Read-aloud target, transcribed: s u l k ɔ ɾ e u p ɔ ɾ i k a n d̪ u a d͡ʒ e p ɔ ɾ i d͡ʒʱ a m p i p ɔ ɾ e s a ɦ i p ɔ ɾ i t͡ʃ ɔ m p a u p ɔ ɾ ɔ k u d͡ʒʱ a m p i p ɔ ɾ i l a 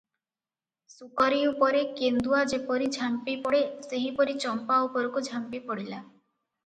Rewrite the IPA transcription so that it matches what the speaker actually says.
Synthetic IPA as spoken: s u k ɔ ɾ i u p ɔ ɾ e k e n d̪ u a d͡ʒ e p ɔ ɾ i d͡ʒʱ a m p i p ɔ ɽ e s e ɦ i p ɔ ɾ i t͡ʃ ɔ m p a u p ɔ ɾ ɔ k u d͡ʒʱ a m p i p ɔ ɽ i l a